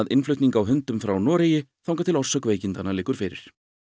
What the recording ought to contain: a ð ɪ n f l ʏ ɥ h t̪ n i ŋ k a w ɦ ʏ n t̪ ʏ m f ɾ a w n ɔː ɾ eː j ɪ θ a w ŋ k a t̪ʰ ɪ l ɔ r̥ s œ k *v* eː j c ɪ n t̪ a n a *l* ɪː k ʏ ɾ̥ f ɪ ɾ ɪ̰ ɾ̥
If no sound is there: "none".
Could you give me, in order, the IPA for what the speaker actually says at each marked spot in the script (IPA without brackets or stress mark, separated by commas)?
v, l